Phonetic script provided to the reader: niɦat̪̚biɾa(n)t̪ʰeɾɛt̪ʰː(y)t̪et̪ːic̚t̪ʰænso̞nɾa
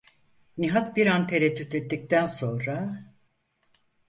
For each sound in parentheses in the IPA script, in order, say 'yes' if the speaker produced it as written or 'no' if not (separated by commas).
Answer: yes, yes